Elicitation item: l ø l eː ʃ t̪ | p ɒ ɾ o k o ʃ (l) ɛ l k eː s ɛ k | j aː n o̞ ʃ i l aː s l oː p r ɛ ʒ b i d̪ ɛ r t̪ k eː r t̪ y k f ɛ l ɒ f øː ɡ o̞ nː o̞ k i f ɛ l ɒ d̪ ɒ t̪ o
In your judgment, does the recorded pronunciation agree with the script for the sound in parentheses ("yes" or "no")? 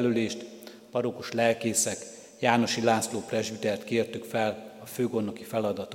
yes